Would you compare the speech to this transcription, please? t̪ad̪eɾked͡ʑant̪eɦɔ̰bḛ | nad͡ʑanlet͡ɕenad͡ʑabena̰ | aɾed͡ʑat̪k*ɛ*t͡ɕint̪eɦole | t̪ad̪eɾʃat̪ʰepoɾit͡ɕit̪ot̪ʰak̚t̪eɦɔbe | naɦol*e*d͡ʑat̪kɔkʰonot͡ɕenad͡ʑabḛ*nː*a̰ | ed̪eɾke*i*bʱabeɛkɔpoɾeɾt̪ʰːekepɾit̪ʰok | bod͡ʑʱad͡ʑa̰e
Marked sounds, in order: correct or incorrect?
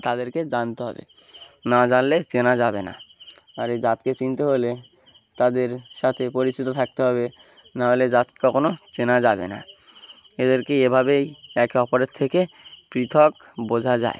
incorrect: e, correct, incorrect: n, incorrect: e

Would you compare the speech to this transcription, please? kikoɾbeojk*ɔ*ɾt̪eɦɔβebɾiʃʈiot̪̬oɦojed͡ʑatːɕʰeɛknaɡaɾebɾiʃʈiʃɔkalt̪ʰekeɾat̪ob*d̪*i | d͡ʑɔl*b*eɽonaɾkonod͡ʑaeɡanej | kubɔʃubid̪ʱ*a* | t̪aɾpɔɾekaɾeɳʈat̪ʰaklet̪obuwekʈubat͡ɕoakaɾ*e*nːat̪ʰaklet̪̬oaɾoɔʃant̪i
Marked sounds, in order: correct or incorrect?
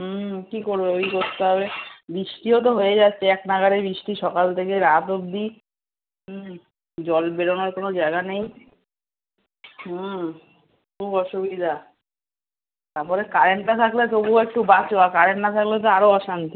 incorrect: o, correct, correct, correct, correct

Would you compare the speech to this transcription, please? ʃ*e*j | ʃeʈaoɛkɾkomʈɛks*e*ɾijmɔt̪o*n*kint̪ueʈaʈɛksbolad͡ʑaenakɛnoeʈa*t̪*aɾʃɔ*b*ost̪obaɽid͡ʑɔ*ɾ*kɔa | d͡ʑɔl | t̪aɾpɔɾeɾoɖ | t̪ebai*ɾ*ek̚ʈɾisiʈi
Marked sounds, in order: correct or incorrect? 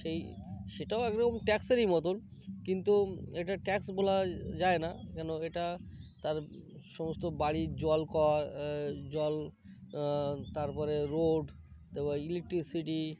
correct, correct, correct, correct, incorrect: m, incorrect: l, incorrect: l

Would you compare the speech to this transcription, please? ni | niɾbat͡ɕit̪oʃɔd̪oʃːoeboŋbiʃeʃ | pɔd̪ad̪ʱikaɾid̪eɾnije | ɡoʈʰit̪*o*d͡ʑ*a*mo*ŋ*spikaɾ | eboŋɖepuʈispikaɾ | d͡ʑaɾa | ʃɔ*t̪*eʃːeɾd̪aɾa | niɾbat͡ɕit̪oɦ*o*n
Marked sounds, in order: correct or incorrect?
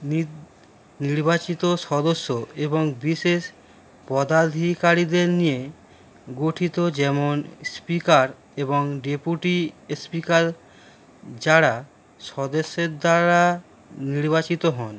correct, incorrect: ɛ, incorrect: n, incorrect: d̪, incorrect: ɔ

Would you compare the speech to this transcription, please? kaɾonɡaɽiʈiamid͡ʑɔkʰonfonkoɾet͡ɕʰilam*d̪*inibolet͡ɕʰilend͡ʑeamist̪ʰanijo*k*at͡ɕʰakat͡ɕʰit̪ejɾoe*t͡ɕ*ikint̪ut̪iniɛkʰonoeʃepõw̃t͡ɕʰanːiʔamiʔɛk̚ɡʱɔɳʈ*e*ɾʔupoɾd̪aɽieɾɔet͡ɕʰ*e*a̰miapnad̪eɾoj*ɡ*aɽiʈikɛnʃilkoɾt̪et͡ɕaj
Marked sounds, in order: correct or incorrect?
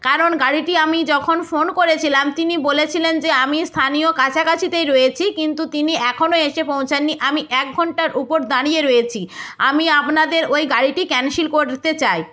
incorrect: t̪, correct, incorrect: t͡ɕʰ, incorrect: a, incorrect: i, correct

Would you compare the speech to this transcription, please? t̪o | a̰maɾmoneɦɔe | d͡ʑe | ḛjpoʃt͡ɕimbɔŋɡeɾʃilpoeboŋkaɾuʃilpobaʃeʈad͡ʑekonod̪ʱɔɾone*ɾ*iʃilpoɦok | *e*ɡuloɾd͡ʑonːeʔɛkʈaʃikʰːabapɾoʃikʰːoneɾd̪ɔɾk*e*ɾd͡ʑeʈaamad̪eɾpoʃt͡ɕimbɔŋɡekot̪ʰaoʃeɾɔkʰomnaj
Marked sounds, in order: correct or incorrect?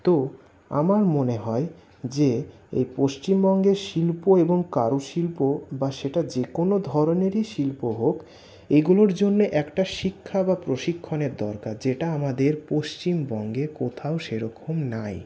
correct, correct, incorrect: a

